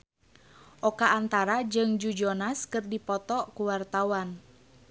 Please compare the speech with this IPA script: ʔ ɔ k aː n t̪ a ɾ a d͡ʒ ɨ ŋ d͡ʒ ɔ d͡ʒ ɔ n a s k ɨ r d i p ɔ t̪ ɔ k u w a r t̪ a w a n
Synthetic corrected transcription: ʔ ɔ k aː n t̪ a ɾ a d͡ʒ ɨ ŋ d͡ʒ u d͡ʒ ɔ n a s k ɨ r d i p ɔ t̪ ɔ k u w a r t̪ a w a n